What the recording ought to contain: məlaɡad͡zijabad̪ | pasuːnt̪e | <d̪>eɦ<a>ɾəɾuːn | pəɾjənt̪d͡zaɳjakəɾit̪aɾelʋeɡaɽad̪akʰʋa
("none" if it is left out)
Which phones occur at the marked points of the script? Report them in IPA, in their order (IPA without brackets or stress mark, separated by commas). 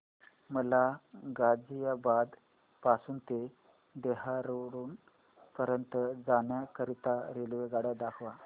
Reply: d̪, a